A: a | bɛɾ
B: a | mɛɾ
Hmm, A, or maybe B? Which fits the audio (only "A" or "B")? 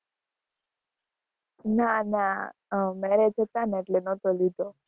B